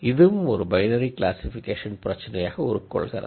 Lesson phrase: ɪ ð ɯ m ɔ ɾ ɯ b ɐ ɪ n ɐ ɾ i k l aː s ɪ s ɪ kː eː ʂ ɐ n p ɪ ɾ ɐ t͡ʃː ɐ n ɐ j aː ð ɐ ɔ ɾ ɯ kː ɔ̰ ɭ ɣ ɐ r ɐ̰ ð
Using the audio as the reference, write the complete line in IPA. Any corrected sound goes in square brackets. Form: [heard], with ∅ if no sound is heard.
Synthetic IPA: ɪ ð ɯ m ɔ ɾ ɯ b ɐ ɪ n ɐ ɾ i k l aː s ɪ [f] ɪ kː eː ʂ ɐ n p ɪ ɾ ɐ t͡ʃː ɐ n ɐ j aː [ɣ] ɐ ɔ ɾ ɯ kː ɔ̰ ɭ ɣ ɐ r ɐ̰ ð

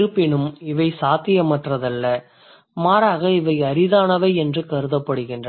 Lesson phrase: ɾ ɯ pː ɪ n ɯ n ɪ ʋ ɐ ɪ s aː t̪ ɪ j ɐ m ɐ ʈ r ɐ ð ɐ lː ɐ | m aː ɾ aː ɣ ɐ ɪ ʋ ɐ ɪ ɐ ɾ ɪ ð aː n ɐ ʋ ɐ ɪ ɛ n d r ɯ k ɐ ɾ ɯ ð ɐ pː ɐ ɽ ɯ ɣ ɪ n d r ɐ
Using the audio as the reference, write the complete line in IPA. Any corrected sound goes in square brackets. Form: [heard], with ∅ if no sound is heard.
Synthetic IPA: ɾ ɯ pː ɪ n ɯ [m] ɪ ʋ ɐ ɪ s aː t̪ ɪ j ɐ m ɐ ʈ r ɐ ð ɐ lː ɐ | m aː ɾ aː ɣ ɐ ɪ ʋ ɐ ɪ ɐ ɾ ɪ ð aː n ɐ ʋ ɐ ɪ ɛ n d r ɯ k ɐ ɾ ɯ ð ɐ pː ɐ ɽ ɯ ɣ ɪ n d r ɐ

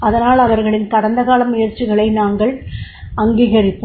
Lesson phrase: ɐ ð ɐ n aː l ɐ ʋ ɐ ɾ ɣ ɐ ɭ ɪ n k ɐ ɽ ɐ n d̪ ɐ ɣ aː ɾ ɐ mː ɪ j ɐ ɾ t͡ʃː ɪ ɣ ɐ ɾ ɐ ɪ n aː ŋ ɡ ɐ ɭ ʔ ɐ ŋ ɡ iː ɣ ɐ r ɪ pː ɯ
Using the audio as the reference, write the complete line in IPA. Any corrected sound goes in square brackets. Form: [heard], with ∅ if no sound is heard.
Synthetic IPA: ɐ ð ɐ n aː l ɐ ʋ ɐ ɾ ɣ ɐ ɭ ɪ n k ɐ ɽ ɐ n d̪ ɐ ɣ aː [l] ɐ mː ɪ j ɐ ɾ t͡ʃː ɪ ɣ ɐ [ɭ] ɐ ɪ n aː ŋ ɡ ɐ ɭ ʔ ɐ ŋ ɡ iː ɣ ɐ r ɪ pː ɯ

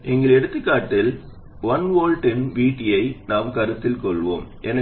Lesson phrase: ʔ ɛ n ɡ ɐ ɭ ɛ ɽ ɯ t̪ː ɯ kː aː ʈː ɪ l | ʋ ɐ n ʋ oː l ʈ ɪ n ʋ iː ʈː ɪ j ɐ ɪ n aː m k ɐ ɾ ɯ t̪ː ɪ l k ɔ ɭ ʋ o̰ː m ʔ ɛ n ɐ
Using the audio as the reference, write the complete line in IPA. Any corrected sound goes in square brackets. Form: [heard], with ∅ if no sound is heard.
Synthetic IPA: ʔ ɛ [ŋ] ɡ ɐ ɭ ɛ ɽ ɯ t̪ː ɯ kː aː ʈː ɪ l | ʋ ɐ n ʋ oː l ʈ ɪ n ʋ iː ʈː ɪ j ɐ ɪ n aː m k ɐ ɾ ɯ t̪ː ɪ l k ɔ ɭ ʋ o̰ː m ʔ ɛ n ɐ

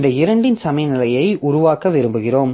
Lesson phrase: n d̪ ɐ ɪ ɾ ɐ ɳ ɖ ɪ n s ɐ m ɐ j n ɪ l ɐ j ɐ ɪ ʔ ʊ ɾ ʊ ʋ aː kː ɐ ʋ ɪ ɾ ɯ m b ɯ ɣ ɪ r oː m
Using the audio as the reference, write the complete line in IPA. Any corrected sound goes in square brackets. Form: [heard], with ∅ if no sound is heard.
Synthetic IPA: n d̪ ɐ ɪ ɾ ɐ ɳ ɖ ɪ n s ɐ m ɐ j n ɪ l ɐ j ɐ ɪ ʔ ʊ ɾ ʊ ʋ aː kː ɐ ʋ ɪ ɾ ɯ m b ɯ ɣ ɪ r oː m

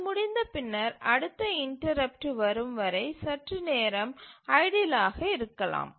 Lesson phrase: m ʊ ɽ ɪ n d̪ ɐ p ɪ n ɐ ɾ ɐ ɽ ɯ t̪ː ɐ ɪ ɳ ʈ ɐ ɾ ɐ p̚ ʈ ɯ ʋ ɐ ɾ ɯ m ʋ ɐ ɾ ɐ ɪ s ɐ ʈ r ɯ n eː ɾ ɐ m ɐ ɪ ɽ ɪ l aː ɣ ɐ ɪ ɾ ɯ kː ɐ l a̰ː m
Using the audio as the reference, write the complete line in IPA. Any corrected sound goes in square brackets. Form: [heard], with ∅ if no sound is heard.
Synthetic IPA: m ʊ ɽ ɪ n d̪ ɐ p ɪ [nː] ɐ ɾ ɐ ɽ ɯ t̪ː ɐ ɪ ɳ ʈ ɐ ɾ ɐ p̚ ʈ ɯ ʋ ɐ ɾ ɯ m ʋ ɐ ɾ ɐ ɪ s ɐ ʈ r ɯ n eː ɾ ɐ m ɐ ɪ ɽ ɪ l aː ɣ ɐ ɪ ɾ ɯ kː ɐ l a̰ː m

